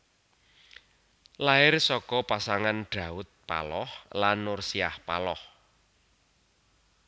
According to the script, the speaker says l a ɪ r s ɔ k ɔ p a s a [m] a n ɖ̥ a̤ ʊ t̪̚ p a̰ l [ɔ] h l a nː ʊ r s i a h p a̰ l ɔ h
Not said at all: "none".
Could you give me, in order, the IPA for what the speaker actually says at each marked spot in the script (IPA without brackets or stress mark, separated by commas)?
ŋ, ɔ